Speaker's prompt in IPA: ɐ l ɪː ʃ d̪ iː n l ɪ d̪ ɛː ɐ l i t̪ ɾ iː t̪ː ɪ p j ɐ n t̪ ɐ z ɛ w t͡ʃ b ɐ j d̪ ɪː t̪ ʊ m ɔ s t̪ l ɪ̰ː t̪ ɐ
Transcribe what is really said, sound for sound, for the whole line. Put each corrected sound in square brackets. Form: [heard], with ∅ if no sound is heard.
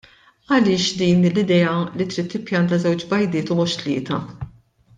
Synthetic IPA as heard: ɐ l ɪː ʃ d̪ iː n l ɪ d̪ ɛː ɐ l i t̪ ɾ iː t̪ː ɪ p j ɐ n t̪ ɐ z ɛ w t͡ʃ b ɐ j d̪ ɪː t̪ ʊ m ɔ [ʃ] t̪ l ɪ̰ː t̪ ɐ